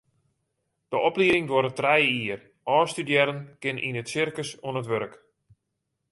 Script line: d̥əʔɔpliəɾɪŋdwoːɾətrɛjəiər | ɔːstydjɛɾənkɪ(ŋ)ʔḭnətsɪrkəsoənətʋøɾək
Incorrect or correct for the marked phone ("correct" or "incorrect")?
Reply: incorrect